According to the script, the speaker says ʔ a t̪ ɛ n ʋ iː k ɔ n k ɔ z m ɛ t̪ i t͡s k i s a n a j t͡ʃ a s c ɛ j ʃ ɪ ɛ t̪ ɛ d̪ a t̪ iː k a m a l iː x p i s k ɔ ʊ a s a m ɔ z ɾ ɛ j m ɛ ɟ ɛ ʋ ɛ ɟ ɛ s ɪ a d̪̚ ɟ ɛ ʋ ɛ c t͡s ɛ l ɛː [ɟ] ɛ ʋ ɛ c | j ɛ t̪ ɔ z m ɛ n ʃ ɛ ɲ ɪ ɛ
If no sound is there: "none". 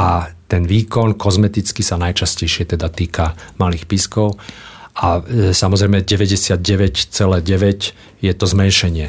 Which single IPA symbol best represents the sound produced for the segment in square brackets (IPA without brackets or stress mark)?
ɟ